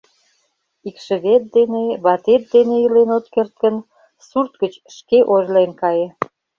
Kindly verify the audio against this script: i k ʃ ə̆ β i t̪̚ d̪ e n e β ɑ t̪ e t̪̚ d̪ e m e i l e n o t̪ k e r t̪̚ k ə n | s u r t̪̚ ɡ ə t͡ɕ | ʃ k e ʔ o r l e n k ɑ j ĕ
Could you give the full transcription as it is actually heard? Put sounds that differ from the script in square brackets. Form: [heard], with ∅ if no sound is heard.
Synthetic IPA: i k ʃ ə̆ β [e] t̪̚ d̪ e n e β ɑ t̪ e t̪̚ d̪ e [n] e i l e n o t̪ k e r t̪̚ k ə n | s u r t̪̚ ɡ ə t͡ɕ | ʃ k e ʔ o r l e n k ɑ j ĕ